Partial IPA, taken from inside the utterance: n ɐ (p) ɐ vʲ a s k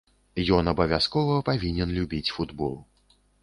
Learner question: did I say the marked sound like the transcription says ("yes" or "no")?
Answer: no